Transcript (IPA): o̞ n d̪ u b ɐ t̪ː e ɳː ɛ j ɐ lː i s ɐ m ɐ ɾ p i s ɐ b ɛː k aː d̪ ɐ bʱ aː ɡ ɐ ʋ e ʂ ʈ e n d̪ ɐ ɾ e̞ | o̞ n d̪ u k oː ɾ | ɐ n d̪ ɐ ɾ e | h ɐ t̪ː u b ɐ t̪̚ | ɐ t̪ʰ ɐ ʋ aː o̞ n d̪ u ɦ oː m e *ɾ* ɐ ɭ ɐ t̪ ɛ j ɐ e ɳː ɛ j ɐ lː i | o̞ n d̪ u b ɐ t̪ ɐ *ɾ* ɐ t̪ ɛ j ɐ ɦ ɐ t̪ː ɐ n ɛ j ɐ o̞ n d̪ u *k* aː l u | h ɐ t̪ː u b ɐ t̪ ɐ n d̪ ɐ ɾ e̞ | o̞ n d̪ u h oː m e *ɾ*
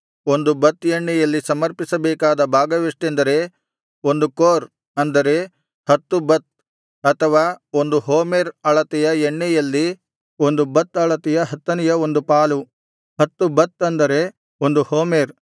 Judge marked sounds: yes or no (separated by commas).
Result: yes, no, no, yes